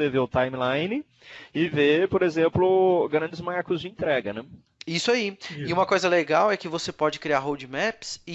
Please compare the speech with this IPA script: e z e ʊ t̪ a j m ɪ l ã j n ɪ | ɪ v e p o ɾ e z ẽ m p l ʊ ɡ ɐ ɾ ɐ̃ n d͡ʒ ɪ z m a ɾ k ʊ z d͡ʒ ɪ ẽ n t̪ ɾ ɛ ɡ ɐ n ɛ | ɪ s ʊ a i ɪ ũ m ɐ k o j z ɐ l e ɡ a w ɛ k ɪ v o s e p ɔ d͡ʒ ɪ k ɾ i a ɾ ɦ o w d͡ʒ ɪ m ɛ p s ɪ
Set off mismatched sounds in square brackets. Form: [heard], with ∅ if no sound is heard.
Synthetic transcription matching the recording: e [v] e ʊ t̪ a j m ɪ l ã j n ɪ | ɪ v e p o ɾ e z ẽ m p l ʊ ɡ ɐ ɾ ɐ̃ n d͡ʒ ɪ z m a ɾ k ʊ z d͡ʒ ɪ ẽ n t̪ ɾ ɛ ɡ ɐ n ɛ | [i] s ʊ a i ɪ ũ m ɐ k o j z ɐ l e ɡ a w ɛ k ɪ v o s e p ɔ d͡ʒ ɪ k ɾ i a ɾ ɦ o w d͡ʒ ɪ m ɛ p s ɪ